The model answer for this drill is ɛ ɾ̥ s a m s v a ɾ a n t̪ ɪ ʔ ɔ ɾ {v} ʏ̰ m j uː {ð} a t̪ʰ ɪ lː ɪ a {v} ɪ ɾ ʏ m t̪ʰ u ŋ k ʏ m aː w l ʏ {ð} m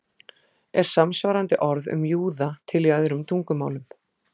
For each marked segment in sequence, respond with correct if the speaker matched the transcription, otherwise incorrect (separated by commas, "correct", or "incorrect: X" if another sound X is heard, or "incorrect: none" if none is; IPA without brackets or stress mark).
incorrect: ð, correct, incorrect: ð, incorrect: none